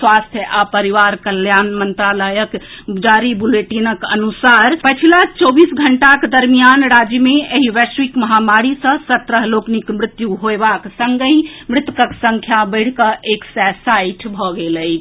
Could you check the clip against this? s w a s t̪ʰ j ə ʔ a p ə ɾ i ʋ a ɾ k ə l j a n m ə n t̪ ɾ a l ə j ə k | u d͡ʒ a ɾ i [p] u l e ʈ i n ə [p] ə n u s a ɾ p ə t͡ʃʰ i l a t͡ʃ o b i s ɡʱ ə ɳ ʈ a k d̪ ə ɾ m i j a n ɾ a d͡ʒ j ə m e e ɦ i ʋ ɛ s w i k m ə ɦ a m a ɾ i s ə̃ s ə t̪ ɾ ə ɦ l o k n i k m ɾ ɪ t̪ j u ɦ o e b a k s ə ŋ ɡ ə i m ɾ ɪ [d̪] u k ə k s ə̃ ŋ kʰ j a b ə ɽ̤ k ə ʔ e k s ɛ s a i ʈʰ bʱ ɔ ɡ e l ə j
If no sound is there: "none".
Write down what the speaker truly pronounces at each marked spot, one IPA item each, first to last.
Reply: b, k, t̪

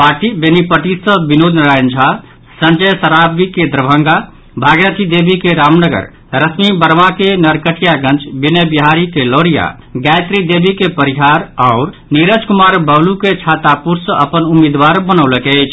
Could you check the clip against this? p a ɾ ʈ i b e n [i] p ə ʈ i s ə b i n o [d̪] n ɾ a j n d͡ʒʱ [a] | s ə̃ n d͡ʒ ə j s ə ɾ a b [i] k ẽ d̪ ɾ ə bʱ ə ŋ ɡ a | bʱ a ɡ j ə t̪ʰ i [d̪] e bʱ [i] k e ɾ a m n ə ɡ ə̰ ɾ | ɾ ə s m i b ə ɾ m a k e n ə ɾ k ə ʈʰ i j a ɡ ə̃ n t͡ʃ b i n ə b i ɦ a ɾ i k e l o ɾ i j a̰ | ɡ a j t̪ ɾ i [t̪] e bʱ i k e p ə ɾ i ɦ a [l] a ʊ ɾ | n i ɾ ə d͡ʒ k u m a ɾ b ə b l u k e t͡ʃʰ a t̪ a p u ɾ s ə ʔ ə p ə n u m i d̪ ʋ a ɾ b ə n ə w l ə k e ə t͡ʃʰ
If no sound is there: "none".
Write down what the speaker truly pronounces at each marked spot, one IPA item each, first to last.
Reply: i, d̪, a, i, d̪, i, d̪, ɾ

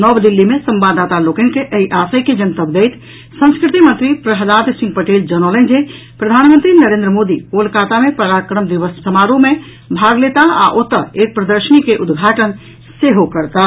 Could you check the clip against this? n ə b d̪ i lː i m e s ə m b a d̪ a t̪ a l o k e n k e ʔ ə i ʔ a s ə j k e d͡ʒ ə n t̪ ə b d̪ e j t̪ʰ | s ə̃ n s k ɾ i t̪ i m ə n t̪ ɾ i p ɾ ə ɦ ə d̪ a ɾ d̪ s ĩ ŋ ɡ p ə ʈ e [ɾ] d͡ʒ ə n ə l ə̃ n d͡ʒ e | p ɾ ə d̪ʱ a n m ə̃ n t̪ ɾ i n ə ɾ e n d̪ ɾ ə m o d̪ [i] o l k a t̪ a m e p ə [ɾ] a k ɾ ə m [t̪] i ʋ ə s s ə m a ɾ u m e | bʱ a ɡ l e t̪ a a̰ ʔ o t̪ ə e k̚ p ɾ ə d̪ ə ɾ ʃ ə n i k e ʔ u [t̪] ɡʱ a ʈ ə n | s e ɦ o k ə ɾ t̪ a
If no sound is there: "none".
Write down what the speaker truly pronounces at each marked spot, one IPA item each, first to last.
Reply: l, i, ɾ, d̪, d̪

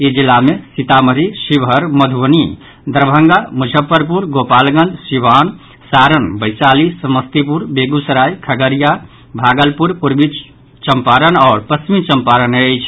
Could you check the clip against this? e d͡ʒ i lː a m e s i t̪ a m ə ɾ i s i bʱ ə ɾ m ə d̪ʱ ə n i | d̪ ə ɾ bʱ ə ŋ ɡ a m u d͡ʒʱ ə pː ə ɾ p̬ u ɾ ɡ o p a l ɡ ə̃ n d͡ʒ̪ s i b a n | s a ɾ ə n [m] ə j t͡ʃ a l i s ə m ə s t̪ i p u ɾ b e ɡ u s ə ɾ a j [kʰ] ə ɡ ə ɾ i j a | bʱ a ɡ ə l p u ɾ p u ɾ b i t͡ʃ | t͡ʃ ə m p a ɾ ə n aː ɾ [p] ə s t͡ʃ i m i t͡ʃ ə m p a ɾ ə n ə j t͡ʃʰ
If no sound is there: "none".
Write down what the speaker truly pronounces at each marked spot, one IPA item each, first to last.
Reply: b, kʰ, p

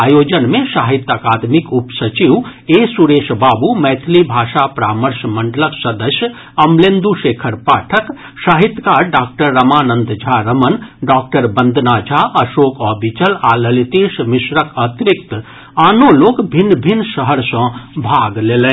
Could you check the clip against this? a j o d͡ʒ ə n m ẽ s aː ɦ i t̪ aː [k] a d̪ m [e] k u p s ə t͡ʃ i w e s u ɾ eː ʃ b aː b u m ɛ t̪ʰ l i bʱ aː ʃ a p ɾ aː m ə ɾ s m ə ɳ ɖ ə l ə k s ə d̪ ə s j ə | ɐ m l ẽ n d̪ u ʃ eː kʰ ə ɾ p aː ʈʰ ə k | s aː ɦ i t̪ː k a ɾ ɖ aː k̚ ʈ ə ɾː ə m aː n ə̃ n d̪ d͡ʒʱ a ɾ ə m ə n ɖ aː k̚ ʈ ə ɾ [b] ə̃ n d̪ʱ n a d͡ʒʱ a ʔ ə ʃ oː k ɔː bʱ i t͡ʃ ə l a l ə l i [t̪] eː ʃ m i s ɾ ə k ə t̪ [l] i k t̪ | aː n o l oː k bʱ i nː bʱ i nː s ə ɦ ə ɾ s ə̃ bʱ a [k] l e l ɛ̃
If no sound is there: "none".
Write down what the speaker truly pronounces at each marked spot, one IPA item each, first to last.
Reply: k, i, b, t̪, ɾ, ɡ

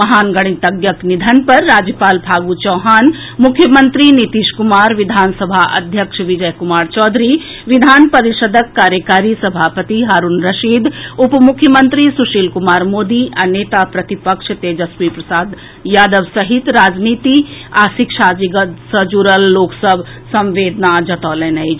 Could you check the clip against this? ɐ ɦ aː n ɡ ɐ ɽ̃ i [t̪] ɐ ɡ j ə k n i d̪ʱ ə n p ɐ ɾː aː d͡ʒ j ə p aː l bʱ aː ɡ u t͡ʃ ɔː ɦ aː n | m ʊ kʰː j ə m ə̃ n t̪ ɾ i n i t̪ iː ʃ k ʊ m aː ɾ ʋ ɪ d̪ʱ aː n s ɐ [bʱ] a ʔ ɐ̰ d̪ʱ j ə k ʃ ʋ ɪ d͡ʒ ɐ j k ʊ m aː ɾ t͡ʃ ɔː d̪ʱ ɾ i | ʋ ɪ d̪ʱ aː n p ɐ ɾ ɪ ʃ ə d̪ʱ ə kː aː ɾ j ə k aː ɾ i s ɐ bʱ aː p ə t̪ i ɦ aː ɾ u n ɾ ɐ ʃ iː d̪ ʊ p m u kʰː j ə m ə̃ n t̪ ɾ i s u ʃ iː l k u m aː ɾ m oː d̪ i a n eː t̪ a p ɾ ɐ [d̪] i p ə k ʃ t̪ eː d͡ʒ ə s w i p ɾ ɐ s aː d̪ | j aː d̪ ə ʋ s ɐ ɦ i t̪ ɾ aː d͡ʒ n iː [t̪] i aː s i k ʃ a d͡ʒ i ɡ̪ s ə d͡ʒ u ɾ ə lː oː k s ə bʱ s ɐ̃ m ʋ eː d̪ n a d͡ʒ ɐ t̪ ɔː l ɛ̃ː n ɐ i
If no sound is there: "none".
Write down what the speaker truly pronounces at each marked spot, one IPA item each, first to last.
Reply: t̪, bʱ, t̪, t̪

